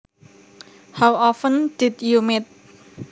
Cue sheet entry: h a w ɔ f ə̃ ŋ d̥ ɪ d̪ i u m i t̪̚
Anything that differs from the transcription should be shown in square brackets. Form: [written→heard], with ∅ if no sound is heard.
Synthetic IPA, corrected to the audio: h a w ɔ f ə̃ [ŋ→n] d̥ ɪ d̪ [i→j] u m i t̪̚